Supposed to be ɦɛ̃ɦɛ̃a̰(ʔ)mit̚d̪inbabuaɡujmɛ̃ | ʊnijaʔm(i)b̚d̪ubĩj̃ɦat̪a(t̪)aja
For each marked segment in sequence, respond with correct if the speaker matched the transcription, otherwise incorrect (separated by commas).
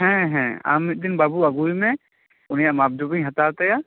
incorrect, incorrect, correct